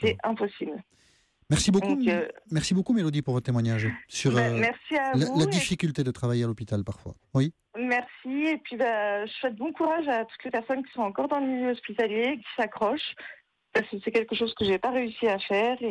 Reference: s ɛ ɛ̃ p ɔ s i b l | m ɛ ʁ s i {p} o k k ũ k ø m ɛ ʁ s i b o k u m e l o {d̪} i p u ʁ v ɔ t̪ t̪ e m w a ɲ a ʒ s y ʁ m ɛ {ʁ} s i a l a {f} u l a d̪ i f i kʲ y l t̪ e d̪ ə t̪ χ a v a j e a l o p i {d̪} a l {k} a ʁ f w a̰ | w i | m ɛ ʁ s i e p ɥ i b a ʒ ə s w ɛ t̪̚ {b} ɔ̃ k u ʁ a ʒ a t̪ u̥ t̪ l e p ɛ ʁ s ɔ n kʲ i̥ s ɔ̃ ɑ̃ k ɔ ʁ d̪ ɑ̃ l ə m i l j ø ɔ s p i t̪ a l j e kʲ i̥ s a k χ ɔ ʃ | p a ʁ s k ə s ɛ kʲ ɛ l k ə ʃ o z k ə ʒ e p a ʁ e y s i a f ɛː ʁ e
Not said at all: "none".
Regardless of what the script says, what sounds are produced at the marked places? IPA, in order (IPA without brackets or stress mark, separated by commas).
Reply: b, d̪, ʁ, v, t̪, p, b